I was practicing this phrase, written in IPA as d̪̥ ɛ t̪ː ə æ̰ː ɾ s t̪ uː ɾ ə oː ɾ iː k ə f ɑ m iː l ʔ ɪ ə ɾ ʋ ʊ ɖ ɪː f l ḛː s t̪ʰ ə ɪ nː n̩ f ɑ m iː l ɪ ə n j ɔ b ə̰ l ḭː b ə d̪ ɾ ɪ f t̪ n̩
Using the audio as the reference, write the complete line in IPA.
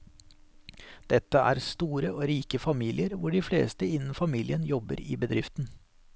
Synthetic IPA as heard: d̪̥ ɛ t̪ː ə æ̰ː ɾ s t̪ uː ɾ ə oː ɾ iː k ə f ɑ m iː l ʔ ɪ ə ɾ ʋ ʊ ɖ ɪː f l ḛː s t̪ ə ɪ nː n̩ f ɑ m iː l ɪ ə n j ɔ b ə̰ ɾ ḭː b ə d̪ ɾ ɪ f t̪ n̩

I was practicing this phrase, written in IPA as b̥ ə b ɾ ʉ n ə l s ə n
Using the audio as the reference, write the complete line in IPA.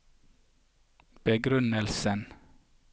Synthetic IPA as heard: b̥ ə ɡ ɾ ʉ n ə l s ə n

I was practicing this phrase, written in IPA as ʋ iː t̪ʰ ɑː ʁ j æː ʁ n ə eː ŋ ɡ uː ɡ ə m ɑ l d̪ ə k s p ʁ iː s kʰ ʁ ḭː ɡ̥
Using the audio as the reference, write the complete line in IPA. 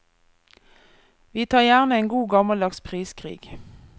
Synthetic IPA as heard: ʋ iː t̪ʰ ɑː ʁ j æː ʁ n ə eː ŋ ɡ uː ɡ ɑ m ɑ l d̪ ɑ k s pʰ ʁ iː s kʰ ʁ ḭː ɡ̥

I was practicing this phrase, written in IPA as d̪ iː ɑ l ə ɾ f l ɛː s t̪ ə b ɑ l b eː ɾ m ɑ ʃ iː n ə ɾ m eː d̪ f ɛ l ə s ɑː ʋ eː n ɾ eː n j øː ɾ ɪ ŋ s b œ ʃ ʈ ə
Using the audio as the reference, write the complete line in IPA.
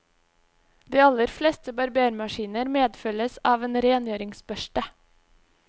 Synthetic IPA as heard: d̪ iː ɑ l ə ɾ f l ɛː s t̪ ə b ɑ ɾ b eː ɾ m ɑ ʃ iː n ə ɾ m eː d̪ f œ l ə s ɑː ʋ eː n ɾ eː n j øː ɾ ɪ ŋ s b œ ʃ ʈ ə

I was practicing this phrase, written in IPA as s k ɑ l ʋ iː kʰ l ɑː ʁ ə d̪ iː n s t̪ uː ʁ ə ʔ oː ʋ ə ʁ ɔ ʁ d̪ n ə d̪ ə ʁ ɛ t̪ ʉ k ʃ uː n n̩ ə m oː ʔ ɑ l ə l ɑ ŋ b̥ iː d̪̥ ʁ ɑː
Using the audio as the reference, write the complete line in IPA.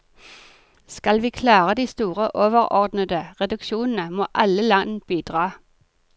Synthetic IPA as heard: s k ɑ l ʋ iː kʰ l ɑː ʁ ə d̪ iː s t̪ uː ʁ ə ʔ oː ʋ ə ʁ ɔ ʁ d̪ n ə d̪ ə ʁ ɛ d̪ ʉ k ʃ uː n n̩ ə m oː ʔ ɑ l ə l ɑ n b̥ iː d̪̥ ʁ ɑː

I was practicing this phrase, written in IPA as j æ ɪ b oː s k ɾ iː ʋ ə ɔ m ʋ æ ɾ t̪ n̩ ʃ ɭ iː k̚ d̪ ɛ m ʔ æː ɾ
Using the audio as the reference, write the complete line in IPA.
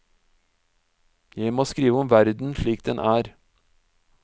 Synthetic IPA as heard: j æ ɪ m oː s k ɾ iː ʋ ə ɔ m ʋ æ ɾ d̪ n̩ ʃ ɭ iː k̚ d̪ ɛ n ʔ æː ɾ

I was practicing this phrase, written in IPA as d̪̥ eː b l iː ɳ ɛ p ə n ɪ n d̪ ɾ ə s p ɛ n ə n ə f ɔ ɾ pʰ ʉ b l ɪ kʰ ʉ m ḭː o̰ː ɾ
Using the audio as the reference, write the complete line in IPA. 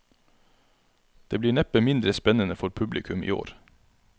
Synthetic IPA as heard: d̪̥ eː b l iː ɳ ɛ p ə m ɪ n d̪ ɾ ə s p ɛ n ə n ə f ɔ ɾ pʰ ʉ b l ɪ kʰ ʉ m ḭː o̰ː ɾ

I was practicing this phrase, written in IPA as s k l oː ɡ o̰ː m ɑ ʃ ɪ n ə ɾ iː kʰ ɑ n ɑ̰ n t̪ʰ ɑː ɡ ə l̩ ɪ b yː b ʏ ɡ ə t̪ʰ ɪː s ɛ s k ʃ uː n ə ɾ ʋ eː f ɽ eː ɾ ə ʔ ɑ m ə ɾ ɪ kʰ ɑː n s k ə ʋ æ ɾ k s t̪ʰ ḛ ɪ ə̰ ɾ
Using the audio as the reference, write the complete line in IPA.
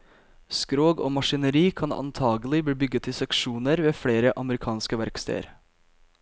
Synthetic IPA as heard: s k ɾ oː ɡ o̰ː m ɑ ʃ ɪ n ə ɾ iː kʰ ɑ n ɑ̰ n t̪ʰ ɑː ɡ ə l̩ ɪ b iː b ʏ ɡ ə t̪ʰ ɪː s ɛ k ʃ uː n ə ɾ ʋ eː f ɽ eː ɾ ə ʔ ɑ m ə ɾ ɪ kʰ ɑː n s k ə ʋ æ ɾ k s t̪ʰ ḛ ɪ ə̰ ɾ

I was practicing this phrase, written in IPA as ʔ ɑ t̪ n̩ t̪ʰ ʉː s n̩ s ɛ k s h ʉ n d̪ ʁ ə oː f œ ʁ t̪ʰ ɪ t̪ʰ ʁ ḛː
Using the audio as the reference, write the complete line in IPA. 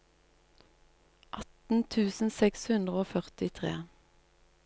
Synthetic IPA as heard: ʔ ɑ t̪ n̩ t̪ʰ ʉː s n̩ s ɛ k s h ʉ n d̪ ʁ ə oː f œ ʁ t̪ ɪ t̪ʰ ʁ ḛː

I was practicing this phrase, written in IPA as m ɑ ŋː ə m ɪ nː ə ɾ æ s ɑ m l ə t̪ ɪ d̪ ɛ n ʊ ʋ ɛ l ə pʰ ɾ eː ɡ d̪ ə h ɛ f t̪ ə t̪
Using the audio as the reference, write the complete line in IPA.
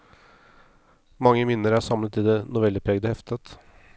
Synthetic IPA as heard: m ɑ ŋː ə m ɪ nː ə ɾ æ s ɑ m l ə t̪ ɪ d̪ ɛ n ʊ ʋ ɛ l ə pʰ ɾ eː ɡ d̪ ə h ɛ f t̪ ə t̪

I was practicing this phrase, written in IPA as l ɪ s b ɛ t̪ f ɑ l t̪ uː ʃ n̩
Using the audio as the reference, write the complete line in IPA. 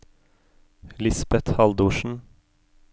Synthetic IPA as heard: l ɪ s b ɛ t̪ h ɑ l d̪ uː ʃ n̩

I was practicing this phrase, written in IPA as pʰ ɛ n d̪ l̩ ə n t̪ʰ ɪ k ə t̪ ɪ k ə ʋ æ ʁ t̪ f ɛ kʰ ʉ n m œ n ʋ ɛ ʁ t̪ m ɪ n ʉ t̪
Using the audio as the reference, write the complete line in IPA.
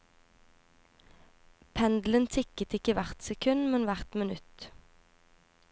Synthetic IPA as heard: pʰ ɛ n d̪ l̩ ə n t̪ʰ ɪ k ə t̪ ɪ k ə ʋ æ ʁ t̪ s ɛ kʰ ʉ n m ɛ n ʋ æ ʁ t̪ m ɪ n ʉ t̪

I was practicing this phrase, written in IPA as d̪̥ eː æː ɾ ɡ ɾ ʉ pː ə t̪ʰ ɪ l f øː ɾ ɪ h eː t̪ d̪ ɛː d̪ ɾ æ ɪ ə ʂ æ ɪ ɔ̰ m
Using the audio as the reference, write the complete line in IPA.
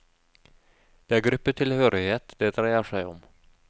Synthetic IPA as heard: d̪̥ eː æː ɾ ɡ ɾ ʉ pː ə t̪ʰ ɪ l h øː ɾ ɪ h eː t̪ d̪ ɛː d̪ ɾ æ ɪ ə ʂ æ ɪ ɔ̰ m

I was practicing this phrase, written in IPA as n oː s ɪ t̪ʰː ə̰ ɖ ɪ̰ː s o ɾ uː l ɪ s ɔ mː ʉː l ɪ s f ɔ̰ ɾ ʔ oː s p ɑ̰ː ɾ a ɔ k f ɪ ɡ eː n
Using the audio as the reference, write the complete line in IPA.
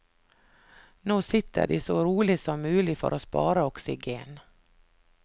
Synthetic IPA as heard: n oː s ɪ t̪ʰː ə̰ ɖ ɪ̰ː s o ɾ uː l ɪ s ɔ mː ʉː l ɪ f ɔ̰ ɾ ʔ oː s p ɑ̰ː ɾ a ɔ k s ɪ ɡ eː n

